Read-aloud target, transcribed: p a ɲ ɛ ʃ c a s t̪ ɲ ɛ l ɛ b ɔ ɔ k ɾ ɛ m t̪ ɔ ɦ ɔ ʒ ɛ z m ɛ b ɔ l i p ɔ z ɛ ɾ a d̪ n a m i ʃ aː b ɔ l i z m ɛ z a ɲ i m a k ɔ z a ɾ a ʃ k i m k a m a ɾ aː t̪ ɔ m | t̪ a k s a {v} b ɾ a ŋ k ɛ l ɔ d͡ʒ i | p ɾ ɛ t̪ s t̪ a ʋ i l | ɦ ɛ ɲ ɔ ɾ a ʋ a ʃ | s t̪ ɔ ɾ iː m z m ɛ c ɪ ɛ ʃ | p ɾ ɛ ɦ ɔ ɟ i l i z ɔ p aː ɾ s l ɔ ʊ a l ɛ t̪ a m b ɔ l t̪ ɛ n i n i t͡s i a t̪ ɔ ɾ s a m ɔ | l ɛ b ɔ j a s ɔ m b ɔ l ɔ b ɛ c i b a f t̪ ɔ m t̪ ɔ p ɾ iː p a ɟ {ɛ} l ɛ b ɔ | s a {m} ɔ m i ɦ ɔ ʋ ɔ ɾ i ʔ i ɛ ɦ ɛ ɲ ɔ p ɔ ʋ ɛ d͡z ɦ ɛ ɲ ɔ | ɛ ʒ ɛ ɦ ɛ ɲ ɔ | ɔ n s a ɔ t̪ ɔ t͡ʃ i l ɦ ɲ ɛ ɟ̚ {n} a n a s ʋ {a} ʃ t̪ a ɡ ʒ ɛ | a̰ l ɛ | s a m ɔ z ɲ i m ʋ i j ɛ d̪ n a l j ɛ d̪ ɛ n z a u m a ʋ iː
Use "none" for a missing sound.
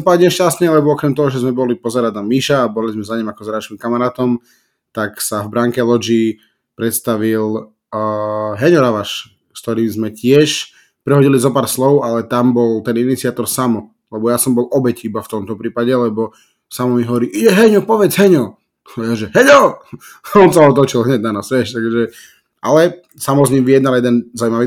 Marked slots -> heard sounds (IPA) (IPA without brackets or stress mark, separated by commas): v, ɛ, m, n, ɛ